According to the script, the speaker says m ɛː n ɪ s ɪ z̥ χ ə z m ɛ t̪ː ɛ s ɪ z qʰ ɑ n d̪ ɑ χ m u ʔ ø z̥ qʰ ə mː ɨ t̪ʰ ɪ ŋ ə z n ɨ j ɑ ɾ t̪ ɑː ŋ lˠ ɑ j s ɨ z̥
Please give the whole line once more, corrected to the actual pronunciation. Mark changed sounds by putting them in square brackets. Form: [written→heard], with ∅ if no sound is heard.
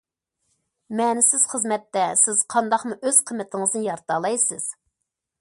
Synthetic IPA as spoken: m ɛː n ɪ s ɪ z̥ χ ə z m ɛ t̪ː ɛ s ɪ z qʰ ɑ n d̪ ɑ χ m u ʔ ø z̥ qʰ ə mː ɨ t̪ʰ ɪ ŋ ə z n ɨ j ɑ ɾ t̪ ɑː [ŋ→∅] lˠ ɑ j s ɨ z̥